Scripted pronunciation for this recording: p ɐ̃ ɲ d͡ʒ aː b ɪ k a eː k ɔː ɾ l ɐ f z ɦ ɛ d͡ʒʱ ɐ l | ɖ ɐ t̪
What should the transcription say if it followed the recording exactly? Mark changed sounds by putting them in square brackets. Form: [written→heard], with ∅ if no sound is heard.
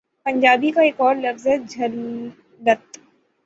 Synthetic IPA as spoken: p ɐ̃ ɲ d͡ʒ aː b [ɪ→i] k a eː k ɔː ɾ l ɐ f z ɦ ɛ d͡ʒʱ ɐ l | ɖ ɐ t̪